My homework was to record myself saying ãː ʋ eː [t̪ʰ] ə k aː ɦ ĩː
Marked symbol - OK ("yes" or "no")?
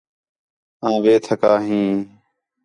yes